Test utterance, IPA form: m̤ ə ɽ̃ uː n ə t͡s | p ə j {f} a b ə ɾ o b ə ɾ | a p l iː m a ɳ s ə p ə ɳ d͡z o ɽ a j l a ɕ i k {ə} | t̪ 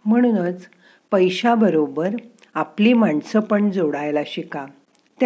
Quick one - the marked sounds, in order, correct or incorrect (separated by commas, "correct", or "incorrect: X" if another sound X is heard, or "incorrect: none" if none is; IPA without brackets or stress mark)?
incorrect: ɕ, incorrect: a